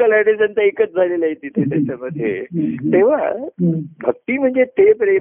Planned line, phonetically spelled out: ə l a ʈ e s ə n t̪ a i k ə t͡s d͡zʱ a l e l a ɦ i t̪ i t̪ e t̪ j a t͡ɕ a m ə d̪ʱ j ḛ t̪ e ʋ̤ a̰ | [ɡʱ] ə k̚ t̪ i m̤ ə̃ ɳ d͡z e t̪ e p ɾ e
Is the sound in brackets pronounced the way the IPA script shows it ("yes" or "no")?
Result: no